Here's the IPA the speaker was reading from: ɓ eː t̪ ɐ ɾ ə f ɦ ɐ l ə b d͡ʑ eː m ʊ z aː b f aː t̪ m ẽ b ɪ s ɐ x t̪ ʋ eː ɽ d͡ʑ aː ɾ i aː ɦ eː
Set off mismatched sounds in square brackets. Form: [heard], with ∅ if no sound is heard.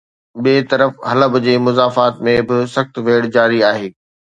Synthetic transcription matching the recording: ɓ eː t̪ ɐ ɾ ə f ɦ ɐ l ə b d͡ʑ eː m ʊ z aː [∅] f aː t̪ m ẽ b ɪ s ɐ x t̪ ʋ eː ɽ d͡ʑ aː ɾ i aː ɦ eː

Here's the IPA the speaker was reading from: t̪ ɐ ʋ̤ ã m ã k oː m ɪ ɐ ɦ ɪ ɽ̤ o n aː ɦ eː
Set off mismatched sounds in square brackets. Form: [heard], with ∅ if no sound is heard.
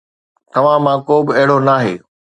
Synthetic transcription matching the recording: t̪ ɐ ʋ̤ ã m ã k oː [b] ɪ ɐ ɦ ɪ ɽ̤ o n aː ɦ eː

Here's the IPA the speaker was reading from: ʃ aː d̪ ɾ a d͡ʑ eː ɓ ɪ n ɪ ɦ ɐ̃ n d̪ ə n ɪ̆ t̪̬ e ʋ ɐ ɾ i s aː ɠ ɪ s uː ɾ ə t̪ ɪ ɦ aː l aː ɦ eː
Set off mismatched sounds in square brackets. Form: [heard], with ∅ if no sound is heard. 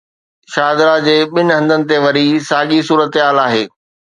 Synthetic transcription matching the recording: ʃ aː d̪ ɾ a d͡ʑ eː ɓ ɪ n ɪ ɦ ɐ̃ n d̪ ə n ɪ̆ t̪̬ e ʋ ɐ ɾ i s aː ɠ [i] s uː ɾ ə t̪ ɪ ɦ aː l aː ɦ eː

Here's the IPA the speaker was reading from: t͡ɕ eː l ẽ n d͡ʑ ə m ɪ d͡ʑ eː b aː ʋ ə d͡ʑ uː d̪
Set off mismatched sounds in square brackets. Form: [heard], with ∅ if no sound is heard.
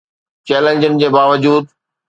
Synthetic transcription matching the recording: t͡ɕ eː l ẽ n d͡ʑ ə [n] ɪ d͡ʑ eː b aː ʋ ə d͡ʑ uː d̪

